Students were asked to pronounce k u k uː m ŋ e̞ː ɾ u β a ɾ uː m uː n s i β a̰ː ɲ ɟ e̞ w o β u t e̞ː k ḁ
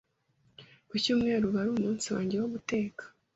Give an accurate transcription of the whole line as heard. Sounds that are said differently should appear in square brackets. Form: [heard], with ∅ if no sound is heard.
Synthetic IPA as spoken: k u [c] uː m ŋ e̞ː ɾ u β a ɾ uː m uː n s i [w] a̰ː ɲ ɟ e̞ w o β u t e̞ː k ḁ